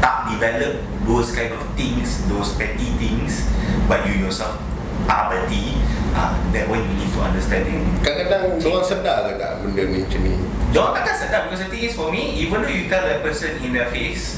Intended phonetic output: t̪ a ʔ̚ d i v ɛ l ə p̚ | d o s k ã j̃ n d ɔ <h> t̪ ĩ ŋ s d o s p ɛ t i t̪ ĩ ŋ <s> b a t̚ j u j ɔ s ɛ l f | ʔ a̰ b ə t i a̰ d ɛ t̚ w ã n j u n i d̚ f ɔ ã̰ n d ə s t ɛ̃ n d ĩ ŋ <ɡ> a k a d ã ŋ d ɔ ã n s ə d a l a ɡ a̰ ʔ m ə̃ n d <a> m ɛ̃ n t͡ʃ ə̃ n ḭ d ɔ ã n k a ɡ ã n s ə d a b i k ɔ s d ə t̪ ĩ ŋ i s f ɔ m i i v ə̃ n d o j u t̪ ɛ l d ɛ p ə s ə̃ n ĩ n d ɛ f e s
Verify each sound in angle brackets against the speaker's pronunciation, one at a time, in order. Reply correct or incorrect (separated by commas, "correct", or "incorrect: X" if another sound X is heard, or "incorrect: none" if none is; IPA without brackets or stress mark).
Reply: incorrect: f, correct, incorrect: k, incorrect: ə